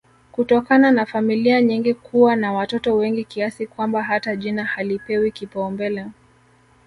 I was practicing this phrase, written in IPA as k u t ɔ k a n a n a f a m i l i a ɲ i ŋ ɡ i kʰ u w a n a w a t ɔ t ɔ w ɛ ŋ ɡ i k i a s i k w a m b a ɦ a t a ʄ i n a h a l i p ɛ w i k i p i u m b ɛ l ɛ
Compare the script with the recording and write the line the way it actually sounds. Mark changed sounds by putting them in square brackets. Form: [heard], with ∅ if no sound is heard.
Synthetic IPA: k u t ɔ k a n a n a f a m i l i a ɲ i ŋ ɡ i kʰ u w a n a w a t ɔ t ɔ w ɛ ŋ ɡ i k i a s i k w a m b a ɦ a t a ʄ i n a h a l i p ɛ w i k i p [a] u m b ɛ l ɛ